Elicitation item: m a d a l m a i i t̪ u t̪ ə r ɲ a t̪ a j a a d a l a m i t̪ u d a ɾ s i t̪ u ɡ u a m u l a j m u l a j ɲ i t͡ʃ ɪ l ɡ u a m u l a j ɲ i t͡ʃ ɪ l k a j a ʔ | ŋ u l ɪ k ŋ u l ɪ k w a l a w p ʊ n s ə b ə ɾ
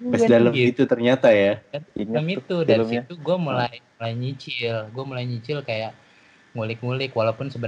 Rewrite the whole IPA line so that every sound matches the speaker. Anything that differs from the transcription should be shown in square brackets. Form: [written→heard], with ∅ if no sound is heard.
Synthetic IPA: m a d a l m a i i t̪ u t̪ ə r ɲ a t̪ a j a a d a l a m i t̪ u d a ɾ s i t̪ u ɡ u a m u l a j m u l a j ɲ i t͡ʃ ɪ l ɡ u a m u l a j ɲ i t͡ʃ ɪ l k a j a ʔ | ŋ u l ɪ k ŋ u l ɪ k w a l a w p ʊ n s ə b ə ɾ